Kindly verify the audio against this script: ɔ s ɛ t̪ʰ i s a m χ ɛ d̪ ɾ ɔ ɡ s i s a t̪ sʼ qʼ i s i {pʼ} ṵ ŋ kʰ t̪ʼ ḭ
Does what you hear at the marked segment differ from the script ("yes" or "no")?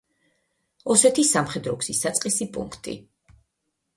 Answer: no